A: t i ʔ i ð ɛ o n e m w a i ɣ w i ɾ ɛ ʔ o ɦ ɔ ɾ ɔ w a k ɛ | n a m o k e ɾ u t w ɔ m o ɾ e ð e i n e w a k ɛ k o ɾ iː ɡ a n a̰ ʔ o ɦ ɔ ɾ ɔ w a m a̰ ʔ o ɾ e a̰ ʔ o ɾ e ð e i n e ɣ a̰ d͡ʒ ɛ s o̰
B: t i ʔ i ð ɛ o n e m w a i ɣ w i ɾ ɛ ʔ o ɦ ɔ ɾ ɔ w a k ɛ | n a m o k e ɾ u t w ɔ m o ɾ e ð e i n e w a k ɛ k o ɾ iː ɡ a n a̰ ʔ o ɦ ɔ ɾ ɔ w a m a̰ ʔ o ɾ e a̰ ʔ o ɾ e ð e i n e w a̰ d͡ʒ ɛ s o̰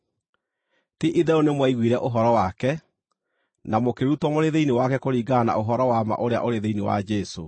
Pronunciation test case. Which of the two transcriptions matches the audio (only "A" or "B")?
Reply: B